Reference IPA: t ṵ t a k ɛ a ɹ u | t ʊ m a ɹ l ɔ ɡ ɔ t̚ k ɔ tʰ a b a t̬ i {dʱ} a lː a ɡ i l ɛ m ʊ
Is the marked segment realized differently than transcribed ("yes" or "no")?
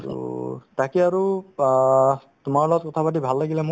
yes